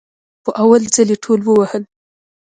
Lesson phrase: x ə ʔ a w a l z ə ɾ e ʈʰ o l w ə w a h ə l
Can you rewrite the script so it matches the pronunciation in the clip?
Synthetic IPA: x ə ʔ a w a l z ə l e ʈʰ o l w ə w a h ə l